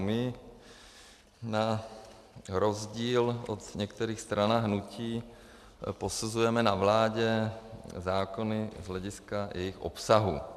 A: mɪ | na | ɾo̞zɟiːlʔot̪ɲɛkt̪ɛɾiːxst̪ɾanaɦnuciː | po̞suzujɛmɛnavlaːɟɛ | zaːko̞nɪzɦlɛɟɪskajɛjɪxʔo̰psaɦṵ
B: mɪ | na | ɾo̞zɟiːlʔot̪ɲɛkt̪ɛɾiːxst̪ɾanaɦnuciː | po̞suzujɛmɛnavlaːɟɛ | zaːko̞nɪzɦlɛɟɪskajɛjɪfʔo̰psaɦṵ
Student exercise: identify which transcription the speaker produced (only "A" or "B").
A